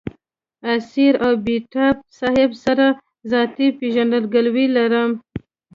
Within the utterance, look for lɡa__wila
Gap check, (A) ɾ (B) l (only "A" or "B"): B